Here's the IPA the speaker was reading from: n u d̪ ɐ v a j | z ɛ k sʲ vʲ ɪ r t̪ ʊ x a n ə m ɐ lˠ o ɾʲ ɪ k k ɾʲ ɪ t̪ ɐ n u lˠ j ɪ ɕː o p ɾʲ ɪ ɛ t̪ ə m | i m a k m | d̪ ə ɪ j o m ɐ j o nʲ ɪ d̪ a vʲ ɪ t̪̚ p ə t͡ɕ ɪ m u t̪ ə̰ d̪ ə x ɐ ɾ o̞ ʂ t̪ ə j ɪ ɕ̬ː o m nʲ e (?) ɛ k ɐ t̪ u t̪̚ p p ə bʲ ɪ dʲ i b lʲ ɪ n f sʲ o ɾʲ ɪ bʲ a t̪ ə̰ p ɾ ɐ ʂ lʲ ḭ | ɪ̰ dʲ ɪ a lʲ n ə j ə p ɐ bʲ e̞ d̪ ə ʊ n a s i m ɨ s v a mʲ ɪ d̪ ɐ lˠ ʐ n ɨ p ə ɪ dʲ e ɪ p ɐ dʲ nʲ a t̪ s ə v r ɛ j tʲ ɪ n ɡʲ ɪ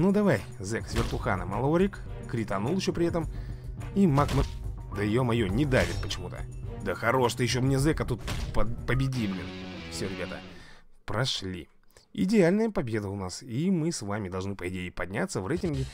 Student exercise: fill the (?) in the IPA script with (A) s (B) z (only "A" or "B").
B